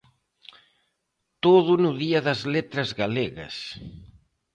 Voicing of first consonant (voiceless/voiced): voiceless